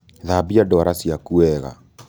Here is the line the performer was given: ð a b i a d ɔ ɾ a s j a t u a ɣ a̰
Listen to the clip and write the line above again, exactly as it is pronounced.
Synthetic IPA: ð a b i a d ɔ ɾ a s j a k u ɛ ɣ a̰